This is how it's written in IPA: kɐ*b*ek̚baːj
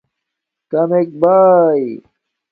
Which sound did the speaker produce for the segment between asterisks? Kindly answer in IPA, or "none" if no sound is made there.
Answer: m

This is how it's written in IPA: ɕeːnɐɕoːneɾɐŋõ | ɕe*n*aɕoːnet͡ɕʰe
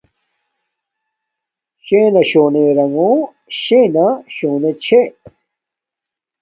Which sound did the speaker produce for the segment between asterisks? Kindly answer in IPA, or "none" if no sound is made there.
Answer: n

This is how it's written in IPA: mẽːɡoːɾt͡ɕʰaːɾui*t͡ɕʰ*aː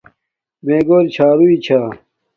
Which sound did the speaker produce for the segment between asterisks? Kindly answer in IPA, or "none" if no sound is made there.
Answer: t͡ɕʰ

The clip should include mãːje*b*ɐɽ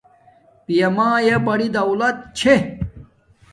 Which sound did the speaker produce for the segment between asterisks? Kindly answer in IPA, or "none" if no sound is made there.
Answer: b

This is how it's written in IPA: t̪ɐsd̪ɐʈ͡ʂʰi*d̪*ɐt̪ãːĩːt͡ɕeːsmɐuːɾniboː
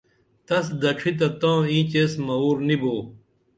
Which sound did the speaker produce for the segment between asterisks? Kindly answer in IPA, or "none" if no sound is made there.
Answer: t̪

